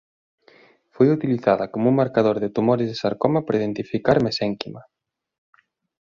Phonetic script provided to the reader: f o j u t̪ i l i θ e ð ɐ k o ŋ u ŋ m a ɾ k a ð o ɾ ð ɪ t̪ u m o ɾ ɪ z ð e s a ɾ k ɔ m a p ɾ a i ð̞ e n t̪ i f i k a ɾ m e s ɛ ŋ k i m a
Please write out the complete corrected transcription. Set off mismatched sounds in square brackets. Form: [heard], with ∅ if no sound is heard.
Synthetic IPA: f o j u t̪ i l i θ [a] ð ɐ k o [m] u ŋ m a ɾ k a ð o ɾ ð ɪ t̪ u m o ɾ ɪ z ð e s a ɾ k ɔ m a p ɾ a i ð̞ e n t̪ i f i k a ɾ m e s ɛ ŋ k i m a